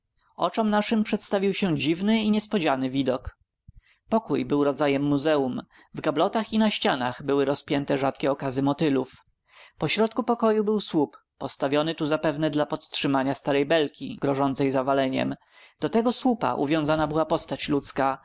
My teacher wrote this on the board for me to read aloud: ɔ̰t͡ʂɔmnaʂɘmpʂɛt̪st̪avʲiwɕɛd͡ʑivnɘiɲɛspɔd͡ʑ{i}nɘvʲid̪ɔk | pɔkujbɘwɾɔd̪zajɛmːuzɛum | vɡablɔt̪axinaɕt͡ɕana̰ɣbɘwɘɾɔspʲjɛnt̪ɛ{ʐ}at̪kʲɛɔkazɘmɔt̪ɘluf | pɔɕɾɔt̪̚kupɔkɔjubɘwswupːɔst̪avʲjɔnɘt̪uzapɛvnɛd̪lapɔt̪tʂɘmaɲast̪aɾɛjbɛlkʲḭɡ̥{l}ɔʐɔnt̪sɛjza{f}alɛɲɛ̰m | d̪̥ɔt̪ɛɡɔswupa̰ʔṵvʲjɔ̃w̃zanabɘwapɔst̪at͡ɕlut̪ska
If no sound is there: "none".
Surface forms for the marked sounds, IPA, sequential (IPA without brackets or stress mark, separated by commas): a, ʐ, ɾ, v